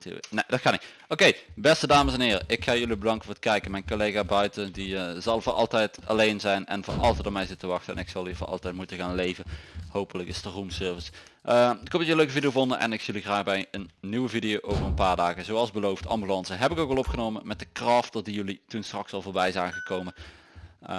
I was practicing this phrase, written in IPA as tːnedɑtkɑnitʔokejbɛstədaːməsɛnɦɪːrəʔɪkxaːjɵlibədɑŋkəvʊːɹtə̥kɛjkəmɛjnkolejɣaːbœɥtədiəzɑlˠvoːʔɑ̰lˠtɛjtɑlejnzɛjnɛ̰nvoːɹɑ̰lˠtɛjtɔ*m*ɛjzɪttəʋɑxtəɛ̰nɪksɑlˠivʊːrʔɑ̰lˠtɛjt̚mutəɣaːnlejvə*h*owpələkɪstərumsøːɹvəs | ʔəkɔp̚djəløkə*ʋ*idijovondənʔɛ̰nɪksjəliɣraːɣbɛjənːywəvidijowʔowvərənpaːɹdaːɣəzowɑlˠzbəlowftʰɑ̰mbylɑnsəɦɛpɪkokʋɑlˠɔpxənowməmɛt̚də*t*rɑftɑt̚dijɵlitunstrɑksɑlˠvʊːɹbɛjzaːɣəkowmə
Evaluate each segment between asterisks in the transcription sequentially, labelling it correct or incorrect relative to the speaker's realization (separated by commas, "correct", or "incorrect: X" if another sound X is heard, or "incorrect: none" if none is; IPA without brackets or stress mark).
correct, correct, incorrect: v, incorrect: k